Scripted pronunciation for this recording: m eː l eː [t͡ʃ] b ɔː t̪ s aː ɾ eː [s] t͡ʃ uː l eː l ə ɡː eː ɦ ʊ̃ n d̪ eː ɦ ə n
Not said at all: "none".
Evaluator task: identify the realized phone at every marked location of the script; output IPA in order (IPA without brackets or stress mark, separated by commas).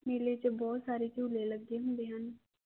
t͡ʃ, none